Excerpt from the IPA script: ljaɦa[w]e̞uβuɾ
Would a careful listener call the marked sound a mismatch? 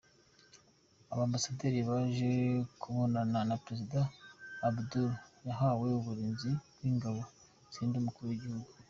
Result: no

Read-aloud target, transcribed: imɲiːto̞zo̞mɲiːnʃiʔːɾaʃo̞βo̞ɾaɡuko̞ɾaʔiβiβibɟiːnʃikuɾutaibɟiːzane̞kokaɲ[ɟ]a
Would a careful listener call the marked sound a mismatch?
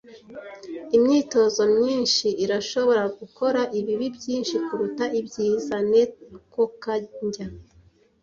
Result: no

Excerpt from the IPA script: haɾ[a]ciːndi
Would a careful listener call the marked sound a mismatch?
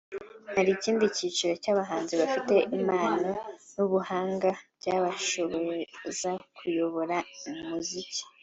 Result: yes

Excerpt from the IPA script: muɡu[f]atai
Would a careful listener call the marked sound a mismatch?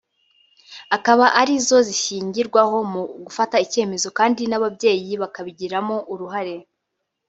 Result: no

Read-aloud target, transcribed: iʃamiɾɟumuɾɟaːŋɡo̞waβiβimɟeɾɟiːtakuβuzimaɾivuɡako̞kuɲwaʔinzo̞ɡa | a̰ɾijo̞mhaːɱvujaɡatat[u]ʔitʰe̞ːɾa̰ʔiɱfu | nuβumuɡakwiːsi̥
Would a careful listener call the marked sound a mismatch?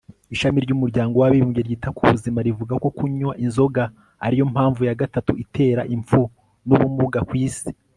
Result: no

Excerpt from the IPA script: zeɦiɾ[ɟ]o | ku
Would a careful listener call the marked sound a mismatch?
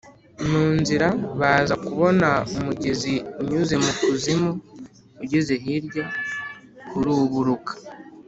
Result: no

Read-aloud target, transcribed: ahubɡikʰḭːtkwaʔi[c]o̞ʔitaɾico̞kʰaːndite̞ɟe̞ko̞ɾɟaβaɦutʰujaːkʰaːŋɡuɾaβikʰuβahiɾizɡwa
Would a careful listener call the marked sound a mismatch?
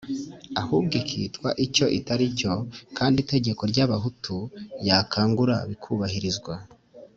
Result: no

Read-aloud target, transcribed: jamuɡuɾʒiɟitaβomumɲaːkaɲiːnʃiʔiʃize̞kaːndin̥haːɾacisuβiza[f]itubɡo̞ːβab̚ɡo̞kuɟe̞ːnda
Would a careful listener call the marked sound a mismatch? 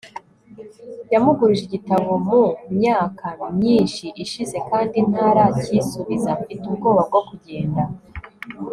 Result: no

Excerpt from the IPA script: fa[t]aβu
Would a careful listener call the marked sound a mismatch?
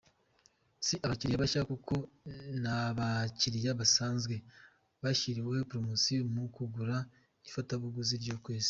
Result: no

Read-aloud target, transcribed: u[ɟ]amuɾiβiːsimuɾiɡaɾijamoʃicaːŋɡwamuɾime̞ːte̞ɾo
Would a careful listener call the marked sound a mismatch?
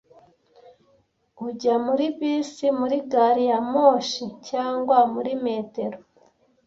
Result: no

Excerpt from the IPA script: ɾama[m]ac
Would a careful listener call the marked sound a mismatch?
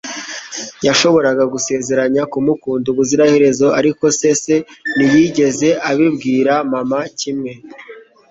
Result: no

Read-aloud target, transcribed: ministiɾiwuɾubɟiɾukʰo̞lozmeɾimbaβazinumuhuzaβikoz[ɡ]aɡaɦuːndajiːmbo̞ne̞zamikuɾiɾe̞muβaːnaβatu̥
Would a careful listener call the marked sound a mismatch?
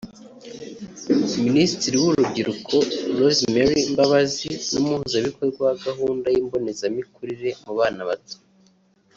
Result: no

